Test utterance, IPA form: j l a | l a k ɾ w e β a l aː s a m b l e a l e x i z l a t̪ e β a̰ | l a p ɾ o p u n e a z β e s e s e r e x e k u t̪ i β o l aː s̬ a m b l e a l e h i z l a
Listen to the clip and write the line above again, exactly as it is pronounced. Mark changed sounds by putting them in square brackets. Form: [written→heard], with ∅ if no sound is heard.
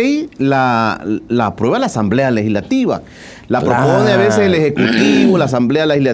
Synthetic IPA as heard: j l a | l a [k→p] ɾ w e β a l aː s a m b l e a l e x i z l a t̪ [e→i] β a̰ | l a p ɾ o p [u→o] n e a [z→∅] β e s e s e [r→l] e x e k u t̪ i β o l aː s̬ a m b l e a l e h i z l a